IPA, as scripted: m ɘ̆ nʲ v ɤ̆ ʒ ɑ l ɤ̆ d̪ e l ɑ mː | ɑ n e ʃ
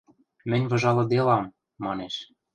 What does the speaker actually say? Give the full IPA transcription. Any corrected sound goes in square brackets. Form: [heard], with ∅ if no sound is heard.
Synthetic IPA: m ɘ̆ nʲ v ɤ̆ ʒ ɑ l ɤ̆ d̪ e l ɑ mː | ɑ n e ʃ